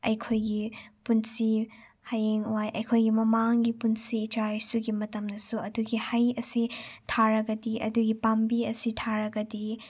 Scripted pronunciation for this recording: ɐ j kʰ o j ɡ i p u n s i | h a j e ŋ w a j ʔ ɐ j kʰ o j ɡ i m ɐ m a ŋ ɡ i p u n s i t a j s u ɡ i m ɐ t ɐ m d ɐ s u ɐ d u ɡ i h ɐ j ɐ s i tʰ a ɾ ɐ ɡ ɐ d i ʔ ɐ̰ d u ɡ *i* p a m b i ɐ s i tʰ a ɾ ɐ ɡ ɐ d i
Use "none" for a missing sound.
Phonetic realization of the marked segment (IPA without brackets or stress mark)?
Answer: i